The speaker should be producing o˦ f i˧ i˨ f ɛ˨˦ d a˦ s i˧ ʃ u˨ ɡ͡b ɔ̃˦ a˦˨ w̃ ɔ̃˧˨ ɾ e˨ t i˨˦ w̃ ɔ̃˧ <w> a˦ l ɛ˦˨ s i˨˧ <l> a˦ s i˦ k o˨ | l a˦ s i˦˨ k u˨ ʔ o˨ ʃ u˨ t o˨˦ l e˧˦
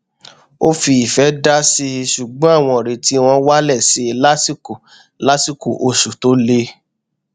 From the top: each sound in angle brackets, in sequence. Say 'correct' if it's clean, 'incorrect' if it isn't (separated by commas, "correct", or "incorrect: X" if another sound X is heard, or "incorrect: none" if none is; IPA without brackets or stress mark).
correct, correct